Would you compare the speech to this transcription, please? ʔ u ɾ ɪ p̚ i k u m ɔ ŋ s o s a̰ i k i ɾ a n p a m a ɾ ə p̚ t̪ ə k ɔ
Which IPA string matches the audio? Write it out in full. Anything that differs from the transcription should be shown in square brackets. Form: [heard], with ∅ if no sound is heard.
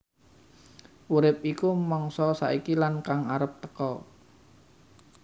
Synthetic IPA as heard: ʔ u ɾ ɪ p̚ i k u m ɔ ŋ s [ɔ] s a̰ i k i [l] a n [k] a [ŋ] a ɾ ə p̚ t̪ ə k ɔ